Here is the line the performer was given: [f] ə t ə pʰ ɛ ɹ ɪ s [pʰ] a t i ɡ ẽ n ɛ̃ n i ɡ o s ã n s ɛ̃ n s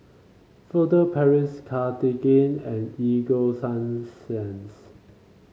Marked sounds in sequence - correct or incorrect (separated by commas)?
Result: correct, incorrect